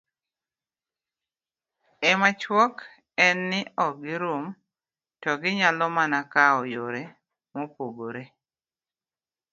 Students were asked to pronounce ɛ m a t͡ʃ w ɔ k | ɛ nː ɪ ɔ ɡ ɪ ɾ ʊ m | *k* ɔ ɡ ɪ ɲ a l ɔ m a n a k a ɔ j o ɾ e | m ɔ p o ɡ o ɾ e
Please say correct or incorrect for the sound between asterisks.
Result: incorrect